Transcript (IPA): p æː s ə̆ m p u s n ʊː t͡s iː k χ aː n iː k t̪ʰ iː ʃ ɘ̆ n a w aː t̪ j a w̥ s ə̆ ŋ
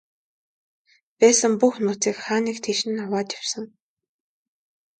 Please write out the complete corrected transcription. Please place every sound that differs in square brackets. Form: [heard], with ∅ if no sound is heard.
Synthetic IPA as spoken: p æː s ə̆ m p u [x] n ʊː t͡s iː k χ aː n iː k t̪ʰ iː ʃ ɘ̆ n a w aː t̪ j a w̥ s ə̆ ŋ